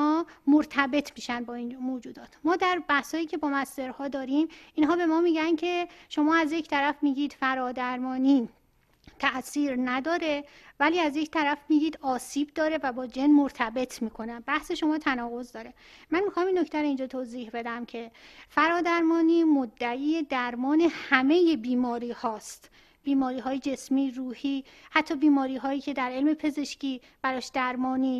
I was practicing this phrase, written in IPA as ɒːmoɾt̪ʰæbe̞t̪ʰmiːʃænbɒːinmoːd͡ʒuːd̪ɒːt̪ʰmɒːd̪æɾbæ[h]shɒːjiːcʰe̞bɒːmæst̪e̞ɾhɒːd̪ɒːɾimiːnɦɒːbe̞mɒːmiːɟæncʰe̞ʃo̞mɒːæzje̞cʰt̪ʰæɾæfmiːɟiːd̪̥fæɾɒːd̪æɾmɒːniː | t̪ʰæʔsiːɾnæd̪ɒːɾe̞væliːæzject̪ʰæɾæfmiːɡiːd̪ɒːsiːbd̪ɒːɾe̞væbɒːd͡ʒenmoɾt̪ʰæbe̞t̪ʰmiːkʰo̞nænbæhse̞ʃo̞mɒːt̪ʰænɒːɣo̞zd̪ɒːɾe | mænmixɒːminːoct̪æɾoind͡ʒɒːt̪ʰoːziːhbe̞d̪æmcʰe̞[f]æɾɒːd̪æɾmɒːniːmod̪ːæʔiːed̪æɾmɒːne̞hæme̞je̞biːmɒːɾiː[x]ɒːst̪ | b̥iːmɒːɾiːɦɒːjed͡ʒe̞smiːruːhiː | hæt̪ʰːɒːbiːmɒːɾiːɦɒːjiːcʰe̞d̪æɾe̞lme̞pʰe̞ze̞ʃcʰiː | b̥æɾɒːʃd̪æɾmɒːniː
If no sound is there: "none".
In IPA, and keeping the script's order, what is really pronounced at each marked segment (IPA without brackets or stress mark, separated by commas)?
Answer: h, f, h